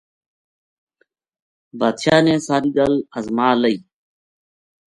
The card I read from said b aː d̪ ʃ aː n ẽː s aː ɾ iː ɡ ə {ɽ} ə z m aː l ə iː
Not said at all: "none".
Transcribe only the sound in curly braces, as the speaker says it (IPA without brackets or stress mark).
l